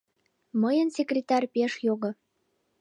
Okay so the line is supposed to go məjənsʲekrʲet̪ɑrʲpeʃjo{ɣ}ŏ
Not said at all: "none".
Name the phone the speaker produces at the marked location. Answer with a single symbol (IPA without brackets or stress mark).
ɣ